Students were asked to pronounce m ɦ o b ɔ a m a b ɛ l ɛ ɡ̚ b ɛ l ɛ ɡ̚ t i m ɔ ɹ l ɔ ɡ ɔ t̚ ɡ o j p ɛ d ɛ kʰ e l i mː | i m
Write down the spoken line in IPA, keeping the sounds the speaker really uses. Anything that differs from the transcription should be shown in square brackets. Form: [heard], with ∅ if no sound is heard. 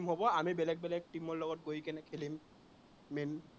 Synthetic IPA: m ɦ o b ɔ a m [i] b ɛ l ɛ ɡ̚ b ɛ l ɛ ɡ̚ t i m ɔ ɹ l ɔ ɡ ɔ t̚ ɡ o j [k] ɛ [n] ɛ kʰ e l i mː | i [n]